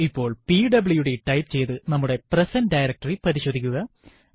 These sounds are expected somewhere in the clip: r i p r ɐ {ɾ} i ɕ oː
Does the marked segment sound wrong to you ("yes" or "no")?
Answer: no